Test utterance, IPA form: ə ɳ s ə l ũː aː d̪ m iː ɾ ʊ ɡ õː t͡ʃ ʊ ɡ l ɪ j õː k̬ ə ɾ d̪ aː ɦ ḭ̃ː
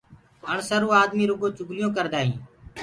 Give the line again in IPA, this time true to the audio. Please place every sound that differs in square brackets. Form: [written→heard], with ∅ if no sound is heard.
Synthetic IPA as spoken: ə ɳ s ə [l→ɾ] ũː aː d̪ m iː ɾ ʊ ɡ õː t͡ʃ ʊ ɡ l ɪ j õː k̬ ə ɾ d̪ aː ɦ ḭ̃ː

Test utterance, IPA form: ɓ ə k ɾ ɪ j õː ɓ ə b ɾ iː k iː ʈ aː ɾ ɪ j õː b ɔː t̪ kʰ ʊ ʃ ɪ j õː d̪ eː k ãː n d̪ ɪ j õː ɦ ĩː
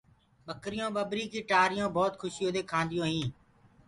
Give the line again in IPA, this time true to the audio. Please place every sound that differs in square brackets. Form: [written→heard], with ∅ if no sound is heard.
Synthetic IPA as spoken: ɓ ə k ɾ ɪ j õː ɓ ə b ɾ iː k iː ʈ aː ɾ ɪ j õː b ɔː t̪ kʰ ʊ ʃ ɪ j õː d̪ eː [k→kʰ] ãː n d̪ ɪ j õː ɦ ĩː

